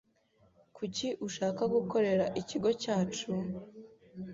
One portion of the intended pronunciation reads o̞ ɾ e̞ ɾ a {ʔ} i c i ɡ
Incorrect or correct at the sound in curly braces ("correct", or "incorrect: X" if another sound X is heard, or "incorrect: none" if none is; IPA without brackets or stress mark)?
correct